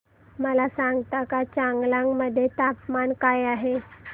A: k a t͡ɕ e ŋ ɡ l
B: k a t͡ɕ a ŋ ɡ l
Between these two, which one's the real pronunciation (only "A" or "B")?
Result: B